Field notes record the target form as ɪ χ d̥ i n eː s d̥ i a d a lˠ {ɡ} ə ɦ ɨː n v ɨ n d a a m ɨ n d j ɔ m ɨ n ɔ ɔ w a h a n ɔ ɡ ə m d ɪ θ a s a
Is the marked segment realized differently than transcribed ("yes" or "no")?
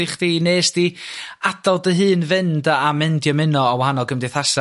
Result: yes